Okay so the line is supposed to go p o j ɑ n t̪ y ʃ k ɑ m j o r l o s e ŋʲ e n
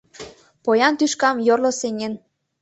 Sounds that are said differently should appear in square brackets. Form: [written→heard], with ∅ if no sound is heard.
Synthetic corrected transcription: p o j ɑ n t̪ y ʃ k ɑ m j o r l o s e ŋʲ e n

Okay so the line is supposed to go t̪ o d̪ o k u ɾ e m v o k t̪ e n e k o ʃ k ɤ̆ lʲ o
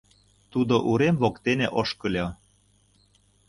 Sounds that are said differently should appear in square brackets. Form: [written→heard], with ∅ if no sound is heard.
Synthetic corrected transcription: t̪ [o→u] d̪ o [k→ʔ] u ɾ e m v o k t̪ e n e [k→ʔ] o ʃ k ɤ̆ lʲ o

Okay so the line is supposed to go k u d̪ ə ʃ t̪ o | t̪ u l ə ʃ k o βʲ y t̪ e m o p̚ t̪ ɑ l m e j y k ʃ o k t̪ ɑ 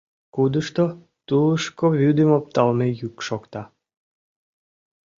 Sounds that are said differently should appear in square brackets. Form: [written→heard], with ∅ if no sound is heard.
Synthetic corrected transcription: k u d̪ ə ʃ t̪ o | t̪ u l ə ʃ k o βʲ y [t̪→d̪] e m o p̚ t̪ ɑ l m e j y k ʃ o k t̪ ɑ

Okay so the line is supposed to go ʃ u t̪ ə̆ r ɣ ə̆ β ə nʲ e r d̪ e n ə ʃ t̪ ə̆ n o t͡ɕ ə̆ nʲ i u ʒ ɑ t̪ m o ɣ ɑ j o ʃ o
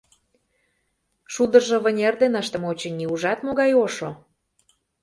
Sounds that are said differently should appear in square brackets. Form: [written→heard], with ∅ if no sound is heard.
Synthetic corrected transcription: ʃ u [t̪→d̪] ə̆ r [ɣ→ʒ] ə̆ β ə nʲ e r d̪ e n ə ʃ t̪ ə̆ [n→m] o t͡ɕ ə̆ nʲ i u ʒ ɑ t̪ m o ɣ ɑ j o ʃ o

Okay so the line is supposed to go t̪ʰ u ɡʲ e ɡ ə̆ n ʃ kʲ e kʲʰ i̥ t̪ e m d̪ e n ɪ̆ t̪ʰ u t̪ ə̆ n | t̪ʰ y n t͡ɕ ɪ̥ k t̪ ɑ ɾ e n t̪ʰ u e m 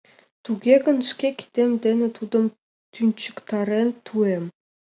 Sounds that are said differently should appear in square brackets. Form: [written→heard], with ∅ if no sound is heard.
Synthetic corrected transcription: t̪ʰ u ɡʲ e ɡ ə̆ n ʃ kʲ e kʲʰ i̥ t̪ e m d̪ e n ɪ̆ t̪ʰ u [t̪→d̪] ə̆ [n→m] | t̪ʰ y n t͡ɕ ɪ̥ k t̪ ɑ ɾ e n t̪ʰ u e m

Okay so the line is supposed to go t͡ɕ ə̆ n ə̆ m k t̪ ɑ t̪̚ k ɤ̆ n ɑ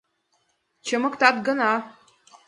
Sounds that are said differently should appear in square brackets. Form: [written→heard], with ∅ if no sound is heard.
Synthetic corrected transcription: t͡ɕ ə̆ [n→m] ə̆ [m→∅] k t̪ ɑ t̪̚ [k→ɡ] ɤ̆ n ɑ

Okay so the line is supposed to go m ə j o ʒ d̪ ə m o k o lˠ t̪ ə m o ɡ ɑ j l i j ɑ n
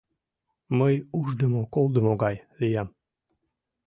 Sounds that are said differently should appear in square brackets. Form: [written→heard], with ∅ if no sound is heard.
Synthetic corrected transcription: m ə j [o→u] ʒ d̪ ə m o k o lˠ [t̪→d̪] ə m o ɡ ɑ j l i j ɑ [n→m]

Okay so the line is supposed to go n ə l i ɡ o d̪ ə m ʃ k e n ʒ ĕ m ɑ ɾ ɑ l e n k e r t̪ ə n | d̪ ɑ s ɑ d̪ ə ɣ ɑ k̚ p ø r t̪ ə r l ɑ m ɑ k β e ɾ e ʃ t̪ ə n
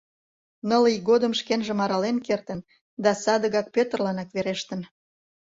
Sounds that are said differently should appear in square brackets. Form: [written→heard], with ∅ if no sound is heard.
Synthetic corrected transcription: n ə l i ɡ o d̪ ə m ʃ k e n ʒ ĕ m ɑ ɾ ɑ l e n k e r t̪ ə n | d̪ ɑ s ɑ d̪ ə ɣ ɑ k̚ p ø [r→∅] t̪ ə r l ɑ [m→n] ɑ k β e ɾ e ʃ t̪ ə n

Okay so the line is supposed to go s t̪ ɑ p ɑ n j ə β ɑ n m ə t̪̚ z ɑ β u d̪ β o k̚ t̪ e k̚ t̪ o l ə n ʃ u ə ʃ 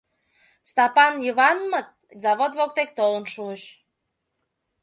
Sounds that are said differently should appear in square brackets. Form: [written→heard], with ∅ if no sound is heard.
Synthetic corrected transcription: s t̪ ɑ p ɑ n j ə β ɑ n m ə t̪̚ z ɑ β [u→o] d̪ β o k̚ t̪ e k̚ t̪ o l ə n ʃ u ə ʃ

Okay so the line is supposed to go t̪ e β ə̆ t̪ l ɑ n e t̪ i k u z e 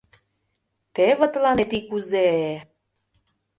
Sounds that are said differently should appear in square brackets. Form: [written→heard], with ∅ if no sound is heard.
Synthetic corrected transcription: t̪ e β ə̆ t̪ l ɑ n e t̪ i k u z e

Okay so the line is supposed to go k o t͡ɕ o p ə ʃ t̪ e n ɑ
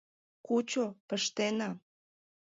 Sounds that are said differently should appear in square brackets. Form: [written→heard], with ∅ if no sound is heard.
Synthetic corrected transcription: k [o→u] t͡ɕ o p ə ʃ t̪ e n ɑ

